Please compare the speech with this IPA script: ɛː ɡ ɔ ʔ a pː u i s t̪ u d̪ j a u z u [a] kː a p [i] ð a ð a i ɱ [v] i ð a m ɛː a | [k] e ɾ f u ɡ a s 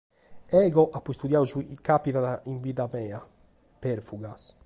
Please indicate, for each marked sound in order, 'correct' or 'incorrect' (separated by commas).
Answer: incorrect, correct, correct, incorrect